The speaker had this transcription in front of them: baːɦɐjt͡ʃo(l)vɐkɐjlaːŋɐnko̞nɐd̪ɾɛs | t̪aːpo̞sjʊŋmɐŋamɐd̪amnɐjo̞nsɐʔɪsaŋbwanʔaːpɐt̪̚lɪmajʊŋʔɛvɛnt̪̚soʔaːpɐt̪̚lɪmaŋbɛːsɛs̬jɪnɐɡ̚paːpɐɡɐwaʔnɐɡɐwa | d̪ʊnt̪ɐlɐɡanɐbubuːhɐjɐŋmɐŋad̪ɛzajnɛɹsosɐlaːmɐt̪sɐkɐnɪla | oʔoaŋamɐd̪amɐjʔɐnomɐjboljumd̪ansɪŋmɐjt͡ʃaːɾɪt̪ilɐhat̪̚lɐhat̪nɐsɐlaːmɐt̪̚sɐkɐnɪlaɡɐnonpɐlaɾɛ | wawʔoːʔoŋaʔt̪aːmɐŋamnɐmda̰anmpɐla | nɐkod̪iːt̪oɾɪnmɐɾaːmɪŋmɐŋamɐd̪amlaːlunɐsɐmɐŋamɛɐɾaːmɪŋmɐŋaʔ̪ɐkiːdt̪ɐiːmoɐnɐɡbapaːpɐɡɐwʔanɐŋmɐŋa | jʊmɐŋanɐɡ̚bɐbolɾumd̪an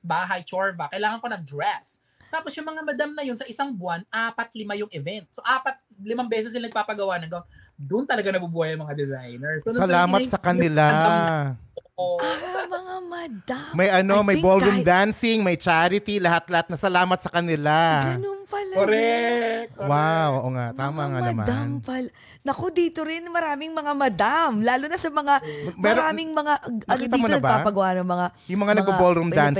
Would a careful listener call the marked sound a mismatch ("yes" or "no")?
yes